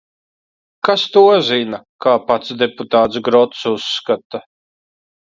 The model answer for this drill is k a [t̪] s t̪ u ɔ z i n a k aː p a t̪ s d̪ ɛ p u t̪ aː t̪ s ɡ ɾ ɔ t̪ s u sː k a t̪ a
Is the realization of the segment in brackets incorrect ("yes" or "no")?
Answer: yes